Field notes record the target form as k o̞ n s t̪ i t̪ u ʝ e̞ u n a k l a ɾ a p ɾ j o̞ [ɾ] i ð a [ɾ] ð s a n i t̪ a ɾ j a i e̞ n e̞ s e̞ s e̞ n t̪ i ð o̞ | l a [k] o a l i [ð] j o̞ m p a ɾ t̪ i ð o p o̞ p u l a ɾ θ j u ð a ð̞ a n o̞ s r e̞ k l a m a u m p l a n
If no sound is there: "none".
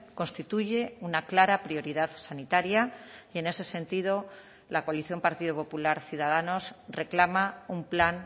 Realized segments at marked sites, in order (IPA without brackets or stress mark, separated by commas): ɾ, none, k, θ